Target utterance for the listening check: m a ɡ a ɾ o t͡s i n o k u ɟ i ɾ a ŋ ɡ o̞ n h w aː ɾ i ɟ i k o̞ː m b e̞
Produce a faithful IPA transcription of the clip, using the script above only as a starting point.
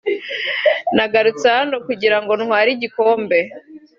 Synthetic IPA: n a ɡ a ɾ u t͡s a n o k u ɟ i ɾ a ŋ ɡ o̞ n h w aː ɾ i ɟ i k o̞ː m b e̞